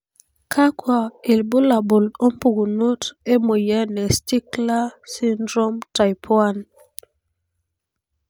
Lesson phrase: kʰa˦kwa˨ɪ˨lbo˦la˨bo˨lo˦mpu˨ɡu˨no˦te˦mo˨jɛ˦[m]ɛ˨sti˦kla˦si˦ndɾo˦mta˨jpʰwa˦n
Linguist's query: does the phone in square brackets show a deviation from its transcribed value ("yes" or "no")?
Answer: yes